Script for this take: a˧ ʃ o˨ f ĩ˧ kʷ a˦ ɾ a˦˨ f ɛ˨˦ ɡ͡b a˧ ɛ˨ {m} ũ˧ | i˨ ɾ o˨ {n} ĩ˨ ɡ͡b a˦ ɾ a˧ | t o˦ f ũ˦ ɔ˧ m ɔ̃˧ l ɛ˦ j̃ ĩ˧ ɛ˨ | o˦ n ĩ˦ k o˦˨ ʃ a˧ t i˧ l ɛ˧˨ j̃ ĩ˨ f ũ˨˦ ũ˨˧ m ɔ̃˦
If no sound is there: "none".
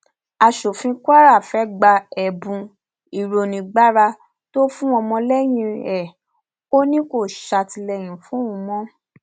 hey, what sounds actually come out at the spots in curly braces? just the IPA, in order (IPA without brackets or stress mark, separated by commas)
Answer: b, n